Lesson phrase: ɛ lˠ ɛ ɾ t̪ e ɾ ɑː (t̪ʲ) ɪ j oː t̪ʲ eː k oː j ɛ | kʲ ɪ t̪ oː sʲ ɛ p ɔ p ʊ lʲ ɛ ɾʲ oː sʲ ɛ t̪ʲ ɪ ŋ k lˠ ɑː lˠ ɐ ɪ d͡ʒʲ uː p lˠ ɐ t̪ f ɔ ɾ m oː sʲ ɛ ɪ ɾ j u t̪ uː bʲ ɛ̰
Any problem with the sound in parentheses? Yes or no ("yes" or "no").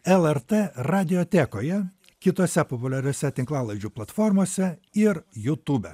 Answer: yes